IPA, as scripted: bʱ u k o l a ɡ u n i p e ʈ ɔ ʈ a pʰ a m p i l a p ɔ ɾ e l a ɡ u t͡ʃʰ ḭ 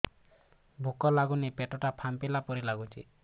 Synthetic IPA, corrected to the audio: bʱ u k ɔ l a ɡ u n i p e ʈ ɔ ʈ a pʰ a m p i l a p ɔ ɾ i l a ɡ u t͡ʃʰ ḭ